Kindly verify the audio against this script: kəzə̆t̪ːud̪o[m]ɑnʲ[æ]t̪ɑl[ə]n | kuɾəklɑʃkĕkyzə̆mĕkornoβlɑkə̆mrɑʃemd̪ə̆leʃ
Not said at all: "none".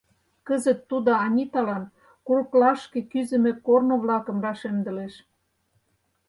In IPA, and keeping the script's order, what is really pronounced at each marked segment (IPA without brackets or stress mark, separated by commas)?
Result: none, i, ɑ